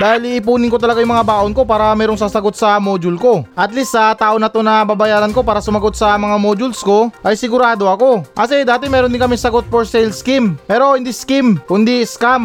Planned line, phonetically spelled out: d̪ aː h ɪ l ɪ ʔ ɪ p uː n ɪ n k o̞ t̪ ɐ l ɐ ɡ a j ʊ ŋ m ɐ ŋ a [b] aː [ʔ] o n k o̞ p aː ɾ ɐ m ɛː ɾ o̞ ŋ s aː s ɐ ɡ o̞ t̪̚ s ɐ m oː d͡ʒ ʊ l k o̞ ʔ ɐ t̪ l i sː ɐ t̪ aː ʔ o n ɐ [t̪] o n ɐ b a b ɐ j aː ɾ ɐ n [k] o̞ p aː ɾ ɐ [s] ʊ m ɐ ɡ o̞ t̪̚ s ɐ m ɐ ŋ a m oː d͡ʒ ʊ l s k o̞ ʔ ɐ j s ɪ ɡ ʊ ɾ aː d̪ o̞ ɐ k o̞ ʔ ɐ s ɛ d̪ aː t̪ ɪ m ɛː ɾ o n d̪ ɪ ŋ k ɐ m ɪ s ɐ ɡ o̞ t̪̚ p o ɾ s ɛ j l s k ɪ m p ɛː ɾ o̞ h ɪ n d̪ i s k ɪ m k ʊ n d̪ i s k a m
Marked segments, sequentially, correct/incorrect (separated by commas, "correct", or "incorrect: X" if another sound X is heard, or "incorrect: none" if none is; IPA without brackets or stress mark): correct, correct, correct, correct, correct